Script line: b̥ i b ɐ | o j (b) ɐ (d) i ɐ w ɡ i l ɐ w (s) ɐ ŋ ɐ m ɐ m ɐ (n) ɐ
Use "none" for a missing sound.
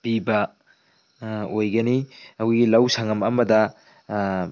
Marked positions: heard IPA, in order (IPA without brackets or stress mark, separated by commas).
ɡ, n, s, d